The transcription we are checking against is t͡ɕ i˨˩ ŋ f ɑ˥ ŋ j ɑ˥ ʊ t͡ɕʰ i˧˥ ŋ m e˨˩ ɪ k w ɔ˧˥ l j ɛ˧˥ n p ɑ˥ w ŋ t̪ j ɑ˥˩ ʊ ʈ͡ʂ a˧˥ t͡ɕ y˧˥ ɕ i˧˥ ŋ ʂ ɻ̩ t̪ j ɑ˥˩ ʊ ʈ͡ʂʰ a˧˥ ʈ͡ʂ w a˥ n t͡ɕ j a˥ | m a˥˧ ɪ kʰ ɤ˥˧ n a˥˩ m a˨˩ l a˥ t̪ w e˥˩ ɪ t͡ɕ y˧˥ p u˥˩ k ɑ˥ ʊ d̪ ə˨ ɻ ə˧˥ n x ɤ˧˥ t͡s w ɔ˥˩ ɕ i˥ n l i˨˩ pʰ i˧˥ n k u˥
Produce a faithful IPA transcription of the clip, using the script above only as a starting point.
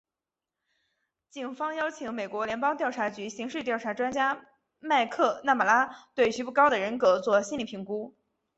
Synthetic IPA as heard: t͡ɕ i˨˩ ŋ f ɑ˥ ŋ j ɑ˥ ʊ t͡ɕʰ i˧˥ ŋ m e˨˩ ɪ k w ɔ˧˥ l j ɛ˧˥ n p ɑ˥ ŋ t̪ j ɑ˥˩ ʊ ʈ͡ʂʰ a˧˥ t͡ɕ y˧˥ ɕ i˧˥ ŋ ʂ ɻ̩ t̪ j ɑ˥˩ ʊ ʈ͡ʂʰ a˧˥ ʈ͡ʂ w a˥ n t͡ɕ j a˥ | m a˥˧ ɪ kʰ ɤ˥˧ n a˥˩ m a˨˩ l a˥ t̪ w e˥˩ ɪ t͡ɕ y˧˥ p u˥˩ k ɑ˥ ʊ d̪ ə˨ ɻ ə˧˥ n k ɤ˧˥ t͡s w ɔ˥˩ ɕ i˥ n l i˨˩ pʰ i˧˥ ŋ k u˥